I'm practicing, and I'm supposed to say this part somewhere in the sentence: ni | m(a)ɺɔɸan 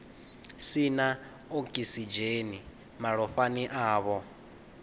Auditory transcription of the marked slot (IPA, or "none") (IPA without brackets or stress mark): a